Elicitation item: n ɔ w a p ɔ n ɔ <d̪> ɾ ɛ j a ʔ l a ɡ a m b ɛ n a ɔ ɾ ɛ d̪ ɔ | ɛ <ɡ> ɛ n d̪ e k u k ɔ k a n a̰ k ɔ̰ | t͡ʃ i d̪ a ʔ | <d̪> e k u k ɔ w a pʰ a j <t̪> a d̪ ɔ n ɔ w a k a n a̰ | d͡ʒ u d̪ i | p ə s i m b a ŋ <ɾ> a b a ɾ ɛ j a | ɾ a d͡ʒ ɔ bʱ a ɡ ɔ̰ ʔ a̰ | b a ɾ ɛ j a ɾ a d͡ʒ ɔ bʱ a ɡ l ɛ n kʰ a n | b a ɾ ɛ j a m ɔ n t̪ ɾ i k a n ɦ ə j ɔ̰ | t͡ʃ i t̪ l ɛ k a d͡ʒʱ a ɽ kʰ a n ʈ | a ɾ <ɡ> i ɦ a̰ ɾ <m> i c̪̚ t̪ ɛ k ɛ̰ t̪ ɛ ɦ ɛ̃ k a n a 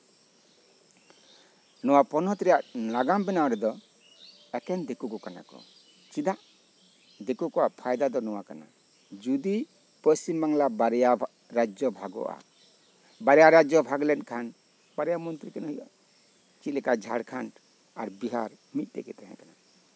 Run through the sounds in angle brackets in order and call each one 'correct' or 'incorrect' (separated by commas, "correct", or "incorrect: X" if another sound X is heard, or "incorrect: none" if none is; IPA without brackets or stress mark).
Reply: incorrect: t̪, incorrect: k, correct, incorrect: d̪, incorrect: l, incorrect: b, correct